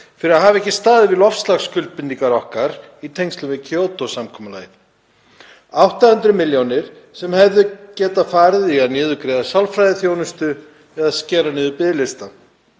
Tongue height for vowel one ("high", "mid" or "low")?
high